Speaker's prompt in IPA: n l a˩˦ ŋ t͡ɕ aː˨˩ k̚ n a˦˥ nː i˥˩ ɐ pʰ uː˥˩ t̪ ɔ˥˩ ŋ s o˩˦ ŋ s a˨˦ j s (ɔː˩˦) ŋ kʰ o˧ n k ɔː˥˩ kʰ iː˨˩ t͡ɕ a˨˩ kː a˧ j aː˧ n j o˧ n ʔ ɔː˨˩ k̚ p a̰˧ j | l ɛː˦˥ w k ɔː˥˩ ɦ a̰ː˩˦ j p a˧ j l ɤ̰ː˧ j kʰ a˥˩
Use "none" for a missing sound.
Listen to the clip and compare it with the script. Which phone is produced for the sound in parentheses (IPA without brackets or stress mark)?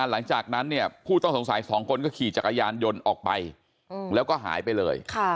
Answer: ɔː˩˦